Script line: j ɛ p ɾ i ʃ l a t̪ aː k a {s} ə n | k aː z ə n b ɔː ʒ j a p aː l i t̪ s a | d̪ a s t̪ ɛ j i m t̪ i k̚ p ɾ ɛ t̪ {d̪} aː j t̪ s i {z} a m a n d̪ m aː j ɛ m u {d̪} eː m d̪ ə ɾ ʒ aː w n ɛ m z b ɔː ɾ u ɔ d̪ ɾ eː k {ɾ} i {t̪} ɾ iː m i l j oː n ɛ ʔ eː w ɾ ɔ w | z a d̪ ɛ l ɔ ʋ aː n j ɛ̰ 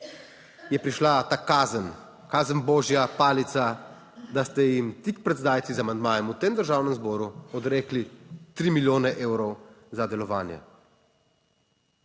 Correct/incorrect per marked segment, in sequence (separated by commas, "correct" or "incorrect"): incorrect, correct, correct, incorrect, incorrect, correct